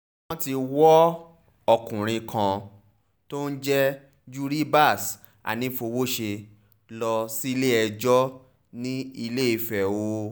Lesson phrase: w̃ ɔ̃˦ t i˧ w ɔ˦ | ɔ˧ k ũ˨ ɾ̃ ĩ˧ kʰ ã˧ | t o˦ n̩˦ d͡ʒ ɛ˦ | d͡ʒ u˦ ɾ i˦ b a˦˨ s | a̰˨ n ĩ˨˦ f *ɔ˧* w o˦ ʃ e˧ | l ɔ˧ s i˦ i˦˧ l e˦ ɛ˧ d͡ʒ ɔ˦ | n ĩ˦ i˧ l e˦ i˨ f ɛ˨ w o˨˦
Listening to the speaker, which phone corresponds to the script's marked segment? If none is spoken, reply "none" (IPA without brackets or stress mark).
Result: o˧